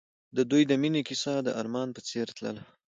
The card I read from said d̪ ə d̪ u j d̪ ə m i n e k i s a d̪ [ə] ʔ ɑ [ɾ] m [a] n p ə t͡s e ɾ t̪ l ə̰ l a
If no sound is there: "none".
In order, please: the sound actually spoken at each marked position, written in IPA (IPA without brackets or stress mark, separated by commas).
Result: ə, ɾ, ɑ